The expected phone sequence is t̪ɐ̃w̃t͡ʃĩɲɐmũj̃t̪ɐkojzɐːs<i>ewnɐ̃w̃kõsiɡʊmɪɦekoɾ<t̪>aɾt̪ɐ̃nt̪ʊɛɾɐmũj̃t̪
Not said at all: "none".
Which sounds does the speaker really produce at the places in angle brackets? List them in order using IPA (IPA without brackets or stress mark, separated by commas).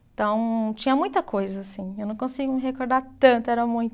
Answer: ĩ, d̪